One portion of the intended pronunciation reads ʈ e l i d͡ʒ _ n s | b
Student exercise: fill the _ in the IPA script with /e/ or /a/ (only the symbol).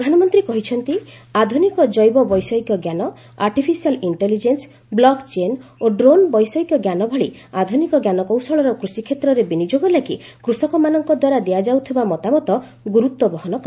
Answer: e